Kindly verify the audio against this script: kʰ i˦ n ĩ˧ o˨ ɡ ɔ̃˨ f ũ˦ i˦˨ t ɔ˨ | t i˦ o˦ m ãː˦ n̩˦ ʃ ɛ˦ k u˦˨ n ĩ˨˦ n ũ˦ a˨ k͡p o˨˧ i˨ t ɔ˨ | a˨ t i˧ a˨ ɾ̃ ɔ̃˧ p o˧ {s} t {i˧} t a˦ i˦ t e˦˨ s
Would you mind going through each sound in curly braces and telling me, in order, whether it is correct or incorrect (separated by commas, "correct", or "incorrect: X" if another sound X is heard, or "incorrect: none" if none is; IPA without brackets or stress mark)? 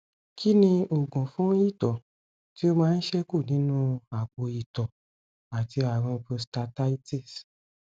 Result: correct, incorrect: a˧